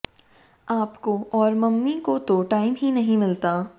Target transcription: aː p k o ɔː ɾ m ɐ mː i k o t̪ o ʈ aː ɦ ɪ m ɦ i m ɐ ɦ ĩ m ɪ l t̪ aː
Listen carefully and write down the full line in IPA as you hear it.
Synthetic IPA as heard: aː p k o ɔː ɾ m ɐ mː i k o t̪ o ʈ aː ɪ m ɦ i n ɐ ɦ ĩ m ɪ l t̪ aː